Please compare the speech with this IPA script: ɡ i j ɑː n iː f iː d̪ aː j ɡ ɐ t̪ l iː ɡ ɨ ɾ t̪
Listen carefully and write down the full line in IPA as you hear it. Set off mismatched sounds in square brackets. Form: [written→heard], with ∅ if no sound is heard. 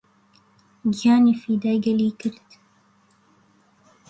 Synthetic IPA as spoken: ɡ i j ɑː n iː f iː d̪ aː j ɡ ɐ [t̪→∅] l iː [ɡ→k] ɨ ɾ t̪